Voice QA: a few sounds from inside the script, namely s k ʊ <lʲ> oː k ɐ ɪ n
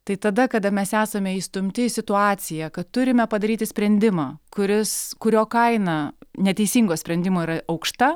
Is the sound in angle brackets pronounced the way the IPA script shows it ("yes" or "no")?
no